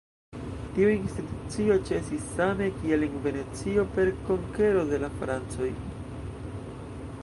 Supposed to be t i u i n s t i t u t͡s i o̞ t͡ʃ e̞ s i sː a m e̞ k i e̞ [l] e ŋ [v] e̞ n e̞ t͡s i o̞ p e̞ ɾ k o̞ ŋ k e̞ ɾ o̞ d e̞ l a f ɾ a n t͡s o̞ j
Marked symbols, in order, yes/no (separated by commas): yes, yes